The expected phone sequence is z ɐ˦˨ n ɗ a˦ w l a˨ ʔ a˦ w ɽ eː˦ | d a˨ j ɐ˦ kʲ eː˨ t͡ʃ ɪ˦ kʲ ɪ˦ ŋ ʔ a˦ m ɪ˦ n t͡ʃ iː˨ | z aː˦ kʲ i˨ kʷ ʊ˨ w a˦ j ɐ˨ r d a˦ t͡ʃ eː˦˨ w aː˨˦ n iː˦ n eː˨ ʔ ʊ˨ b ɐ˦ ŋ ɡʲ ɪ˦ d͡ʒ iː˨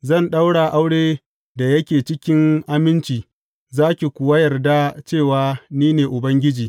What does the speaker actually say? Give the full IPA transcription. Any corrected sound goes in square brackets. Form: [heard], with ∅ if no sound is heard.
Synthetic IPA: z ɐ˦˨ n ɗ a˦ w [ɽ] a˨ ʔ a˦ w ɽ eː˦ | d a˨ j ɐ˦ kʲ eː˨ t͡ʃ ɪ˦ kʲ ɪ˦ ŋ ʔ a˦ m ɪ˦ n t͡ʃ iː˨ | z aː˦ kʲ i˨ kʷ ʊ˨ w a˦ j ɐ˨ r d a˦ t͡ʃ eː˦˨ w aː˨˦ n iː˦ n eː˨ ʔ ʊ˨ b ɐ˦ ŋ ɡʲ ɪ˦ d͡ʒ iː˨